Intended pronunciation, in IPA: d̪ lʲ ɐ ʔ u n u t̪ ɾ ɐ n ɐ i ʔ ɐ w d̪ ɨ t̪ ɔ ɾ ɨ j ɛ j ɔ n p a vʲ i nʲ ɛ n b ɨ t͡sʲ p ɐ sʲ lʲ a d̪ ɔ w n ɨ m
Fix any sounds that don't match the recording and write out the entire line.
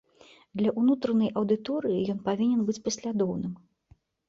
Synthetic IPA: d̪ lʲ ɐ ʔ u n u t̪ ɾ ɐ n ɐ j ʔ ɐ w d̪ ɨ t̪ ɔ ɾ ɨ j i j ɔ n p a vʲ i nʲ ɛ n b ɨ t͡sʲ p ɐ sʲ lʲ a d̪ ɔ w n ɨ m